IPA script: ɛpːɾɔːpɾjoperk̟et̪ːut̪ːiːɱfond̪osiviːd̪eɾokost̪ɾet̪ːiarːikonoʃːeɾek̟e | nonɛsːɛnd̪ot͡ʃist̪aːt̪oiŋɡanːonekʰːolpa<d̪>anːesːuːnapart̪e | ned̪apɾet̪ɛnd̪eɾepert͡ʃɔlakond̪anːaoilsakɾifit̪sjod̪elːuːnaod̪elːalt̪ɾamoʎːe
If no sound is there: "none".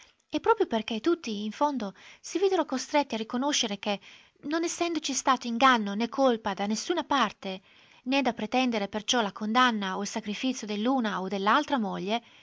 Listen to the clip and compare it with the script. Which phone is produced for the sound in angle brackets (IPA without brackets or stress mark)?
d̪